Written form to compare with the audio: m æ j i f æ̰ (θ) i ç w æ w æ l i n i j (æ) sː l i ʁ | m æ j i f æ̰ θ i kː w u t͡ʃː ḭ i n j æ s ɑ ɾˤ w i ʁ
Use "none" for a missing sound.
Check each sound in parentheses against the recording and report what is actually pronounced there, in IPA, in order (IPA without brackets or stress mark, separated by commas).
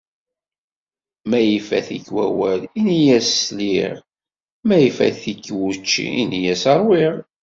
θ, æ